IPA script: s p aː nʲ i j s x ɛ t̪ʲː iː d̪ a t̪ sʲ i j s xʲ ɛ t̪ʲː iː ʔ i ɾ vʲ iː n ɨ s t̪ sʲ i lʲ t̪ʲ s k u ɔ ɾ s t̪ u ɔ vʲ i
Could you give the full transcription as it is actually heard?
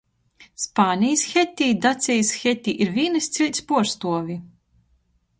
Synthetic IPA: s p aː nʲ i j s x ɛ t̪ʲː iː d̪ a t̪ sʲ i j s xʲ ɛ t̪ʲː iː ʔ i ɾ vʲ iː n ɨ s t̪ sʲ i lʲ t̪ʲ s p u ɔ ɾ s t̪ u ɔ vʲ i